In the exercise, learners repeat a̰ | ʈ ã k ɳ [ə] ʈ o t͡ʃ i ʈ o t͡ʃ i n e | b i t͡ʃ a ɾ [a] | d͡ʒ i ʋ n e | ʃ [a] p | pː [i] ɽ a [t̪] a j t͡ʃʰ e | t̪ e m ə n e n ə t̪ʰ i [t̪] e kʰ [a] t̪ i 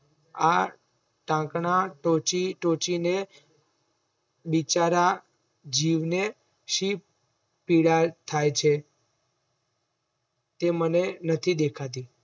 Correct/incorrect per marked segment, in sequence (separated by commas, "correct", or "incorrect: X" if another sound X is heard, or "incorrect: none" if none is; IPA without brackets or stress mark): incorrect: a, correct, incorrect: i, correct, incorrect: t̪ʰ, incorrect: d̪, correct